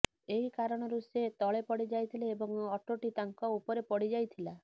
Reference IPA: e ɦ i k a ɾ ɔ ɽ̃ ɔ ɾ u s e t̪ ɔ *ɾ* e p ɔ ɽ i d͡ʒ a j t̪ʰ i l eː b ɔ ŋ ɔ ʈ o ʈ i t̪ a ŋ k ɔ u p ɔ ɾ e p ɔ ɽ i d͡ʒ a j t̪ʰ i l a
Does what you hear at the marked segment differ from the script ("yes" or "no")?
yes